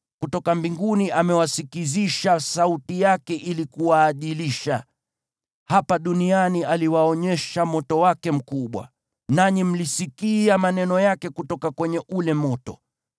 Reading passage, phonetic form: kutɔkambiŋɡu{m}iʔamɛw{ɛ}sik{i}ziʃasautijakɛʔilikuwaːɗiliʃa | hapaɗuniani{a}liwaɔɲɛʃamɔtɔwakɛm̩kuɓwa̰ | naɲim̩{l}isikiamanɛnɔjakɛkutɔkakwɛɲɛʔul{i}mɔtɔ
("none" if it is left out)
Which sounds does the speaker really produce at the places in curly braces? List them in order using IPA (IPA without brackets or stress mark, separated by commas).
n, a, i, a, l, ɛ